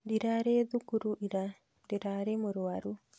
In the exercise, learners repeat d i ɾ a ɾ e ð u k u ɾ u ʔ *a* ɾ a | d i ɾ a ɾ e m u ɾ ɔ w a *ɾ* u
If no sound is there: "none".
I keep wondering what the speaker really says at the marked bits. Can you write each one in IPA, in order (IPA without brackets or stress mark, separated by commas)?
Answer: i, ɾ